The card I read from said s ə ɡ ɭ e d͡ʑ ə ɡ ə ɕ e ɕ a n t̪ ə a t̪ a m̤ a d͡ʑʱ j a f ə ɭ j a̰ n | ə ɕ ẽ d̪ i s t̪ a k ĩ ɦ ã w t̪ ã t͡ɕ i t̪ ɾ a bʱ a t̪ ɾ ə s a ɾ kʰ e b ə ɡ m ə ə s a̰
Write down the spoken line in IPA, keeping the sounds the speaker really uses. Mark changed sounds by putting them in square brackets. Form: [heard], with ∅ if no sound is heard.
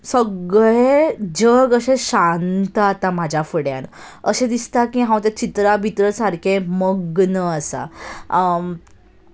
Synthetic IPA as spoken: s ə ɡ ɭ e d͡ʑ ə ɡ ə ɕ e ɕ a n t̪ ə a t̪ a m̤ a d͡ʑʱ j a f ə [ɽ] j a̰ n | ə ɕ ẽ d̪ i s t̪ a k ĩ ɦ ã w t̪ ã t͡ɕ i t̪ ɾ a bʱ [i] t̪ ɾ ə s a ɾ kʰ e [m] ə ɡ [n] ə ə s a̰